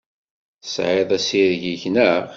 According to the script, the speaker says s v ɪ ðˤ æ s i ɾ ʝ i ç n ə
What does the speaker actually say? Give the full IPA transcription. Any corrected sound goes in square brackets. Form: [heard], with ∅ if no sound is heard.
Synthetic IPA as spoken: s [ʕ] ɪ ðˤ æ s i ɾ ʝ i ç n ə